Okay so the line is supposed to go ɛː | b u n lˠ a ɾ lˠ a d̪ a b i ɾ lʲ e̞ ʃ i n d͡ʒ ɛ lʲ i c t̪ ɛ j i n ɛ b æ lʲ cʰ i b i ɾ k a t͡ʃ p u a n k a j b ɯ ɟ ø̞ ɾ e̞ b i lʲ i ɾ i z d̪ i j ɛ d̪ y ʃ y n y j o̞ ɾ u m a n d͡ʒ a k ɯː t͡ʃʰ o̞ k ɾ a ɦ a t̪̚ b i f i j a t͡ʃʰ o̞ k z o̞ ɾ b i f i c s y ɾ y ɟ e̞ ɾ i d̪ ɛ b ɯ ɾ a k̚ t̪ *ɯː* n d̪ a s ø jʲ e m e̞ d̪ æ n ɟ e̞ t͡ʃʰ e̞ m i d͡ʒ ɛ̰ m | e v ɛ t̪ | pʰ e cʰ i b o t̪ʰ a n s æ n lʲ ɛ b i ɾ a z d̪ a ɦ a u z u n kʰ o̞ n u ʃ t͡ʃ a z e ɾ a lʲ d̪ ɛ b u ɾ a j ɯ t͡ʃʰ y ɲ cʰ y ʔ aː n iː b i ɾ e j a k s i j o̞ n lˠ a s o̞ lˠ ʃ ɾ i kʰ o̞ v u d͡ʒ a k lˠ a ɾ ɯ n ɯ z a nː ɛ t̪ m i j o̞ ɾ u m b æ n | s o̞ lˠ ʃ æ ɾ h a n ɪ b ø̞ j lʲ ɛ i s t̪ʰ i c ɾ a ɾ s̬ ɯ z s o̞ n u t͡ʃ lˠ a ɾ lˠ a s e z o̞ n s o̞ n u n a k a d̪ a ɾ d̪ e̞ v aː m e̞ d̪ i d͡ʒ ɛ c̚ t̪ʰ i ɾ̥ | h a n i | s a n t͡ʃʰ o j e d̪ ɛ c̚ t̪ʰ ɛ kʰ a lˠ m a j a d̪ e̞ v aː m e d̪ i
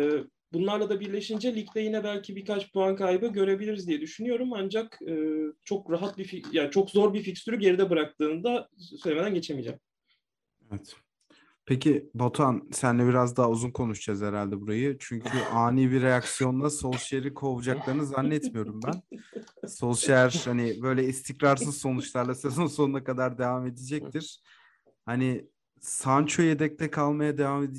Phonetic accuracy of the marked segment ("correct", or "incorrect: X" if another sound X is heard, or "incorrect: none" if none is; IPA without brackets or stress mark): correct